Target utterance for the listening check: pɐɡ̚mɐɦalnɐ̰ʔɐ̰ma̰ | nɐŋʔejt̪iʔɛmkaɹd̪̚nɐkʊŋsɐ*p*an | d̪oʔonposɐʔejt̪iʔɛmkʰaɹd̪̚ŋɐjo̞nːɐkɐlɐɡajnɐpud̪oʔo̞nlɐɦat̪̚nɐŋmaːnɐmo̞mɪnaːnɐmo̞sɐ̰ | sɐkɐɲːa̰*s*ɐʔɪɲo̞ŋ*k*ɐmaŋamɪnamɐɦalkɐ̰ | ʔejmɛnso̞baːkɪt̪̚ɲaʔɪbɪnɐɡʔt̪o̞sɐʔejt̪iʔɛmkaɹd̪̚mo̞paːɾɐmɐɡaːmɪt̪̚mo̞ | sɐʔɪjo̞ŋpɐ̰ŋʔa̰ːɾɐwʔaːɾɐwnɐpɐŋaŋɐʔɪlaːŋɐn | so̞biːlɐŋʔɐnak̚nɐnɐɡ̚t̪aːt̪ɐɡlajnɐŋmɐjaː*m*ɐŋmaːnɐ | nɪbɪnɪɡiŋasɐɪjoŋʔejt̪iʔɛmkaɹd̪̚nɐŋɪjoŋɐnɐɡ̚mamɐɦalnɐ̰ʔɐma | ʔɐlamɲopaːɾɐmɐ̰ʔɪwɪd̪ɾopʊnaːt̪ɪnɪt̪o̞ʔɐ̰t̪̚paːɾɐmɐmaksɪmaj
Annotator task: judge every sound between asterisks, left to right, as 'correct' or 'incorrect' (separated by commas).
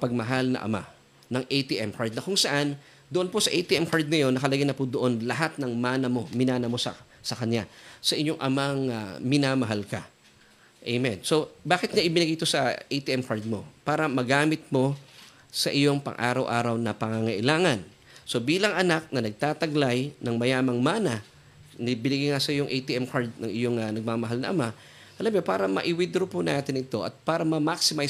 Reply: incorrect, correct, incorrect, correct